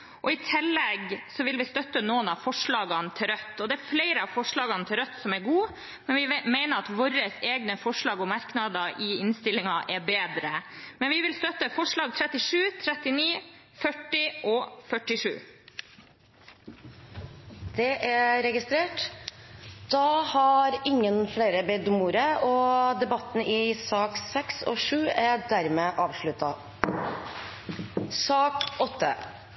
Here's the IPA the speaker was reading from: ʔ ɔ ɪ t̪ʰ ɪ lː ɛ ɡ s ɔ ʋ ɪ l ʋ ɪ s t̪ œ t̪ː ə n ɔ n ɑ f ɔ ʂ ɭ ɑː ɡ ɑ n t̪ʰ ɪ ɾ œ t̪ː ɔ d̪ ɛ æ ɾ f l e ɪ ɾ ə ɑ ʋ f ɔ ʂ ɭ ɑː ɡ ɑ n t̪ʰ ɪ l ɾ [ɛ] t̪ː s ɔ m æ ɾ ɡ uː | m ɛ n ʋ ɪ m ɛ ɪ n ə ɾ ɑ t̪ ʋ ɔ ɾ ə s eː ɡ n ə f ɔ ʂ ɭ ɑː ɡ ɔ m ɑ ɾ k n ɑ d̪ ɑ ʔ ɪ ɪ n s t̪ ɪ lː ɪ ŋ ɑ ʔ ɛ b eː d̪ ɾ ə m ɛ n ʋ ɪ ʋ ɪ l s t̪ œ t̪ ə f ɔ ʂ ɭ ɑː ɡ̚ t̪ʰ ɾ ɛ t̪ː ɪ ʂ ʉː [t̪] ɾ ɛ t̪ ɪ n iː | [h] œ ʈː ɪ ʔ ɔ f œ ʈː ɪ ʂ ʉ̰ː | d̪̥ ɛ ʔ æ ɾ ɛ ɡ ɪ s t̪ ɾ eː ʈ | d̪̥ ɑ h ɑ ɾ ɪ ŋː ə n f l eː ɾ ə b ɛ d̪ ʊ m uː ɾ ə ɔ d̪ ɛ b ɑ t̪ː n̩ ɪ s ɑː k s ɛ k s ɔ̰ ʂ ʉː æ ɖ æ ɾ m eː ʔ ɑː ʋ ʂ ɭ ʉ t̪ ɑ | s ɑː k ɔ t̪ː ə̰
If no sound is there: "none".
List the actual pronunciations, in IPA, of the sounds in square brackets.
œ, t̪ʰ, f

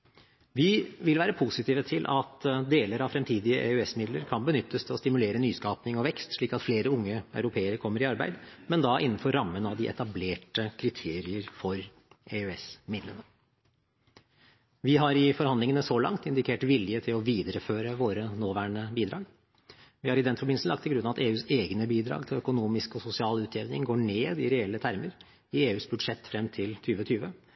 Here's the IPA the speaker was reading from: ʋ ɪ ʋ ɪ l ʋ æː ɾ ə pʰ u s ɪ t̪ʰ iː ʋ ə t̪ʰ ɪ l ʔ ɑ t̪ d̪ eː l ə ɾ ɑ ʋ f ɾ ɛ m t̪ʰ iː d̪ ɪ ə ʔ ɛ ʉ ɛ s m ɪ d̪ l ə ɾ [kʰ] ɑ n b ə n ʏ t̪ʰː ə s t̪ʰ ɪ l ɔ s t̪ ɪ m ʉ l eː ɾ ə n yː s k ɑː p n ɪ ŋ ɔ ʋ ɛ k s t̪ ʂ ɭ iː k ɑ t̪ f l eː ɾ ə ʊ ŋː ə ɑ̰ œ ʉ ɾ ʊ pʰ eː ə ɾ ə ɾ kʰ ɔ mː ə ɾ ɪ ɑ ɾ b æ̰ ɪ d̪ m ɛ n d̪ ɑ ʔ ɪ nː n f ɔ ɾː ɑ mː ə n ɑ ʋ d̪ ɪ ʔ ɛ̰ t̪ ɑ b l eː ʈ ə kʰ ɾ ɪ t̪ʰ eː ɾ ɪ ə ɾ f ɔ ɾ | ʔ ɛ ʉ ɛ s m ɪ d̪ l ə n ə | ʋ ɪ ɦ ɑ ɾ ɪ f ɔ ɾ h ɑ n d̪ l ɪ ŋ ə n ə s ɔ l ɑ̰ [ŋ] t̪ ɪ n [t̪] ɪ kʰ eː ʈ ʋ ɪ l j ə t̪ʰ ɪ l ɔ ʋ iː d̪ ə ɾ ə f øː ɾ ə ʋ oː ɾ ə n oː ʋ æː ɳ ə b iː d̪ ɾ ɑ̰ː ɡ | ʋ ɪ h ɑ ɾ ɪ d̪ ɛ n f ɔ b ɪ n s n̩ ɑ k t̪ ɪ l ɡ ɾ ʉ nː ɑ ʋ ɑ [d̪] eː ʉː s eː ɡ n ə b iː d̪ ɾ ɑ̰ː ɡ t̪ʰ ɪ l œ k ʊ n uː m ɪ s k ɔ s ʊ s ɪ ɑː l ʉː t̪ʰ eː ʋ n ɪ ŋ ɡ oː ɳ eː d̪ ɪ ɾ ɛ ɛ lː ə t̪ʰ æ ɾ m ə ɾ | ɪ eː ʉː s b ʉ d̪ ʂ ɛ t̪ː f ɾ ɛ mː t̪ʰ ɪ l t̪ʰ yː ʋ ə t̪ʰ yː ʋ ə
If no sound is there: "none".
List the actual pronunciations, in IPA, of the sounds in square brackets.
kʰ, ŋ, d̪, t̪

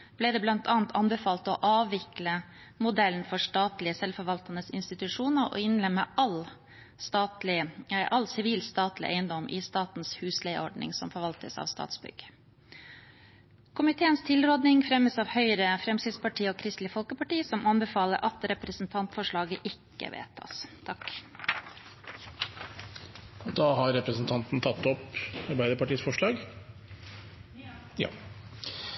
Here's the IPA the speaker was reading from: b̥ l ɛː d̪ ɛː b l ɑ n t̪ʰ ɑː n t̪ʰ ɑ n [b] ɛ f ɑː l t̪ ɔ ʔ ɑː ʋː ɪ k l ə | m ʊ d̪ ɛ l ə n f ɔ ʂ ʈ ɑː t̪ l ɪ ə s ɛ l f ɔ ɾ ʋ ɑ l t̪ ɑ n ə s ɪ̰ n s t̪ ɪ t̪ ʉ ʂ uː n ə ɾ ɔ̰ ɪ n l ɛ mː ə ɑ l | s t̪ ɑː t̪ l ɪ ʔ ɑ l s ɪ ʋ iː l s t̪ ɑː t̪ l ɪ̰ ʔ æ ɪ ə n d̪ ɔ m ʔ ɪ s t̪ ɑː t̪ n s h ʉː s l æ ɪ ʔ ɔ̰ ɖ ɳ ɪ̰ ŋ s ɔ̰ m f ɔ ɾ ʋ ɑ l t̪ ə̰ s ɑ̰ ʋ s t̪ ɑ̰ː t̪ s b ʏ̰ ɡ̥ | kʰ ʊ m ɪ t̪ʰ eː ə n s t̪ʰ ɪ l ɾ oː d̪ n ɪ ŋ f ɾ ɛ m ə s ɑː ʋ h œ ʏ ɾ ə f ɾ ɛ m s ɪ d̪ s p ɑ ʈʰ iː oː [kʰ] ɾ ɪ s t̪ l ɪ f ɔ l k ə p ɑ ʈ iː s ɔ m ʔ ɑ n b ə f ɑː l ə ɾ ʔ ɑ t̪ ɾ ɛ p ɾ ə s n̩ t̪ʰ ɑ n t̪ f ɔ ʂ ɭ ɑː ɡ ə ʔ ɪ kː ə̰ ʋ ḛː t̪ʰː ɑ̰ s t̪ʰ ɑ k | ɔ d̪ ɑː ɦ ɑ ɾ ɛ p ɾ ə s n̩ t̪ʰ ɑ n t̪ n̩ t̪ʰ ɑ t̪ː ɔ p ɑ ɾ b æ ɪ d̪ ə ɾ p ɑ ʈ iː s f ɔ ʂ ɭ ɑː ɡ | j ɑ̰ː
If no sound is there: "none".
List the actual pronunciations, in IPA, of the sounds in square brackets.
b, kʰ

